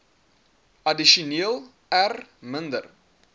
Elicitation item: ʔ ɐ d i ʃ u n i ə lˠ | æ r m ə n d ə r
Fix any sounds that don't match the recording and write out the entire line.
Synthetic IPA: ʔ ɐ d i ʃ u n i ə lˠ | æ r m ə n d ə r